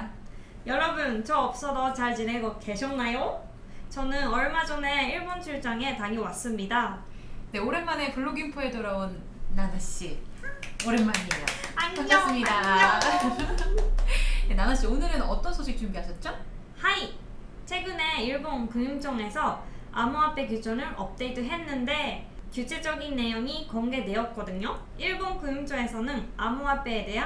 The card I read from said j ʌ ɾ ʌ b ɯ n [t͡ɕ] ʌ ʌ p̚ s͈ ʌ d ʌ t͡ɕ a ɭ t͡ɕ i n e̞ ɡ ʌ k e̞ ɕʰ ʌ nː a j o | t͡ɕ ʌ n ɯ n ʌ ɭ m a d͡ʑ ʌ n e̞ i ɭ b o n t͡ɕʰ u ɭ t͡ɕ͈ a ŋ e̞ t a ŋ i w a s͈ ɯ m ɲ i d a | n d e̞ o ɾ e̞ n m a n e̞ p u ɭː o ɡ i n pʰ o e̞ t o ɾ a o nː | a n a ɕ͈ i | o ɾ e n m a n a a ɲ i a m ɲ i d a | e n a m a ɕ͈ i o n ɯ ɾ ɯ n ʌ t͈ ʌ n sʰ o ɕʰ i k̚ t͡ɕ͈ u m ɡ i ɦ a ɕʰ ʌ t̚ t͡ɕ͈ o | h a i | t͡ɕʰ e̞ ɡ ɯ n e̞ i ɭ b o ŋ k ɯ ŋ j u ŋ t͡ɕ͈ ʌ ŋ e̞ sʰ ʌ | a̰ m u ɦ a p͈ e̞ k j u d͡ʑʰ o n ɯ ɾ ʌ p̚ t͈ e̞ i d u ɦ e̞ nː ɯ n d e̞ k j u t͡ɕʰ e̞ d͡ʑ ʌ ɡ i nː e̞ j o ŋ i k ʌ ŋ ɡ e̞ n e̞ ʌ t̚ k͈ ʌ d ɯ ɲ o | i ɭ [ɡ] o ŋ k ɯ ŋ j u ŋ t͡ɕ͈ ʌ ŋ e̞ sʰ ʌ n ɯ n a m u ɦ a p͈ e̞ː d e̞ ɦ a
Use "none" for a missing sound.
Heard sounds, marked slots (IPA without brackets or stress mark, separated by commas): t͡ɕ, b